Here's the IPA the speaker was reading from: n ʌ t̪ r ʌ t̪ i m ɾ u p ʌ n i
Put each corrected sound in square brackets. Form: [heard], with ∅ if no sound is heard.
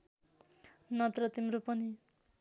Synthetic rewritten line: n ʌ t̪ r ʌ t̪ i m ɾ [o] p ʌ n i